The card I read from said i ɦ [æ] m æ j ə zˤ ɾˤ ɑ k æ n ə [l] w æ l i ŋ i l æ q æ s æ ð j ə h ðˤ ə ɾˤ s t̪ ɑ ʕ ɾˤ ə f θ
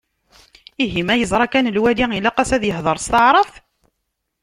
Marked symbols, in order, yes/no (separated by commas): no, yes